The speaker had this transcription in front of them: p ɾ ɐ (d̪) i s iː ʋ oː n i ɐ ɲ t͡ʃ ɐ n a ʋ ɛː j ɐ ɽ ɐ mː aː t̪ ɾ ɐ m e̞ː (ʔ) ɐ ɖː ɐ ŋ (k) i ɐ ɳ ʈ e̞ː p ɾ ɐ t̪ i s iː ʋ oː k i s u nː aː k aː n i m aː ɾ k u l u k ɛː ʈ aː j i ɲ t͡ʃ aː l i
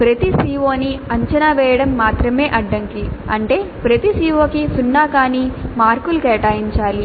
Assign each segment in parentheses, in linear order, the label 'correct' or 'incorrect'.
incorrect: t̪, correct, correct

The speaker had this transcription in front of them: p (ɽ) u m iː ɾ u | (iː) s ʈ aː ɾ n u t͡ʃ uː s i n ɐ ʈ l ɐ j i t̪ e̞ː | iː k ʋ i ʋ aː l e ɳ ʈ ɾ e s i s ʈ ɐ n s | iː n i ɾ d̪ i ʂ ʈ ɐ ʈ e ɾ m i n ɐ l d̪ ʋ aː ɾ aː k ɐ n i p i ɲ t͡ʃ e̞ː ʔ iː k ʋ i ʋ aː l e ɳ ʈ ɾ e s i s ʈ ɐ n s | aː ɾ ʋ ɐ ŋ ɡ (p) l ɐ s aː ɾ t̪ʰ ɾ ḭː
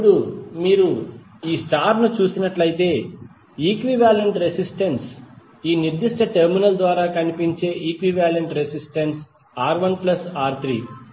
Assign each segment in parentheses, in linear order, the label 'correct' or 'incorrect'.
correct, correct, correct

